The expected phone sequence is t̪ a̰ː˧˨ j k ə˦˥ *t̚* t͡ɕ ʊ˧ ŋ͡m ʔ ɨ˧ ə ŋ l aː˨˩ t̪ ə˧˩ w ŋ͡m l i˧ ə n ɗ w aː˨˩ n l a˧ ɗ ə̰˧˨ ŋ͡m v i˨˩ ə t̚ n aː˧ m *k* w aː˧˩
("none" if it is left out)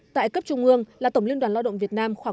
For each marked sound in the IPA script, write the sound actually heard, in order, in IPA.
p̚, x

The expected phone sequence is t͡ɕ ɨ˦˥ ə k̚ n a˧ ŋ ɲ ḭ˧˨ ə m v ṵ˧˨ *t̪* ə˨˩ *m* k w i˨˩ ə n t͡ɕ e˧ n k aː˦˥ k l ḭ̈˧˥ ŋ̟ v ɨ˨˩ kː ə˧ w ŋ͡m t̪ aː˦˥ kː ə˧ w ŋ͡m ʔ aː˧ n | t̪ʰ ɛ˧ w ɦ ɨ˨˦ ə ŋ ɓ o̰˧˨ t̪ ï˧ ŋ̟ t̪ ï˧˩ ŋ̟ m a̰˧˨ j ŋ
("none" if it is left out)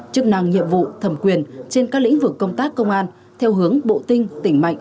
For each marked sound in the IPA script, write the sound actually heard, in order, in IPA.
t̪ʰ, m

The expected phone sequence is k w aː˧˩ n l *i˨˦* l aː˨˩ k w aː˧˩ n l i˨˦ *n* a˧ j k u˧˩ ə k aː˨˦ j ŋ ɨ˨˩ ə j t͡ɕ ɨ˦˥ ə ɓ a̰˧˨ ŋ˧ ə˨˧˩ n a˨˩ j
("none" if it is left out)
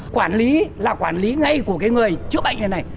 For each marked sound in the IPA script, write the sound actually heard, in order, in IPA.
i˨˦, ŋ

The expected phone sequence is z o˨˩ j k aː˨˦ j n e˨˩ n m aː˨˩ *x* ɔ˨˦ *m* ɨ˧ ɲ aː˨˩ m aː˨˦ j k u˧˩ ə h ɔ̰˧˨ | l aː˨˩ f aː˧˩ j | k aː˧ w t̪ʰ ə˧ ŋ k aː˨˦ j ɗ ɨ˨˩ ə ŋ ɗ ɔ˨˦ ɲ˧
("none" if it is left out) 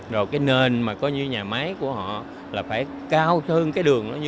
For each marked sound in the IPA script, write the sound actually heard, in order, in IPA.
k, ɲ

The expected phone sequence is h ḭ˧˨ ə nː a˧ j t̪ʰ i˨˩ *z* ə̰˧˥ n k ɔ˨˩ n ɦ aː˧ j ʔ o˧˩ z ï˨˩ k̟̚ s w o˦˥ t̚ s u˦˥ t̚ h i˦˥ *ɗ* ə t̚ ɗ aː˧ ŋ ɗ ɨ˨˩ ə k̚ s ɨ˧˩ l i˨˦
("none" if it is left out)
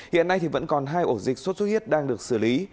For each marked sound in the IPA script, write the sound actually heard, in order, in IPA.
v, none

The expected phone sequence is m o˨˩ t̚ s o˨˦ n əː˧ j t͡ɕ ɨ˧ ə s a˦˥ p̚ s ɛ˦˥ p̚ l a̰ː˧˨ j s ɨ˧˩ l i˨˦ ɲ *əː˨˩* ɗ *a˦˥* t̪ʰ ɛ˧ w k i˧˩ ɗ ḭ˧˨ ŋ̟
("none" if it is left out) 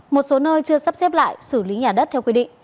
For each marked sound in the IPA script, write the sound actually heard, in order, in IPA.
aː˨˩, ə˦˥

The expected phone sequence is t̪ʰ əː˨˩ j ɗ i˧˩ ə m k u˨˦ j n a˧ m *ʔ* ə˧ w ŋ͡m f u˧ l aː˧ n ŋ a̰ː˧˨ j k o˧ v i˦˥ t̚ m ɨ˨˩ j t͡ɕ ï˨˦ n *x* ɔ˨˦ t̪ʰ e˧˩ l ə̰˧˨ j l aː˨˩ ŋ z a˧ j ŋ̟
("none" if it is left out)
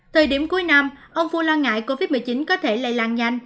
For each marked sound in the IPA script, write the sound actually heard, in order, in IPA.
ʔ, k

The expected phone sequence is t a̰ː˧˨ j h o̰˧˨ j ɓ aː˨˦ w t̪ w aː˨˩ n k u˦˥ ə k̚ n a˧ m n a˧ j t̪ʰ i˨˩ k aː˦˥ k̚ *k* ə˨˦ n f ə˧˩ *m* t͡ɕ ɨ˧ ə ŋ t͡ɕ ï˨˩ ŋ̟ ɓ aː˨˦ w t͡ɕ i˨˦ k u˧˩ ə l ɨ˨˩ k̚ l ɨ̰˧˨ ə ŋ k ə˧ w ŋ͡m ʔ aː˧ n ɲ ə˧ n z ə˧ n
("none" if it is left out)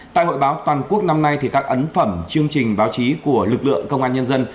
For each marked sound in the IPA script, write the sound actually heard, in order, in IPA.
ʔ, m

